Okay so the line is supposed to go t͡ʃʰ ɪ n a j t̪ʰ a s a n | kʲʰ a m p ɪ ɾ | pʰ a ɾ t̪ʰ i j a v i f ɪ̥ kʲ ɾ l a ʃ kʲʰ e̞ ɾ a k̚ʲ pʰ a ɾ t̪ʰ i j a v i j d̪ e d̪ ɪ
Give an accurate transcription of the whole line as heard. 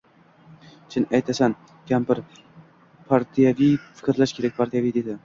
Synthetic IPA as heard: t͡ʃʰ ɪ n a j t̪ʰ a s a n | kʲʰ a m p ɪ ɾ | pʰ a ɾ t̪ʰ i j a v i f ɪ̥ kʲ ɾ l a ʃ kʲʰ e̞ ɾ a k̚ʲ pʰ a ɾ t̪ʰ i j a v i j d̪ e d̪ ɪ